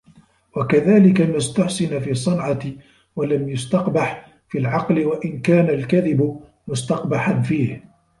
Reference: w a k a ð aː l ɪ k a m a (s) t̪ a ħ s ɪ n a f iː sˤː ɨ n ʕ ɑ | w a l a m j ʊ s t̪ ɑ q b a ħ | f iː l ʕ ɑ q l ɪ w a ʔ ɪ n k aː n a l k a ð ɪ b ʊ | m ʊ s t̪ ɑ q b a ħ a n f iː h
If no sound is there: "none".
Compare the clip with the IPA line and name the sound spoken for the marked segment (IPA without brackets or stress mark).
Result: s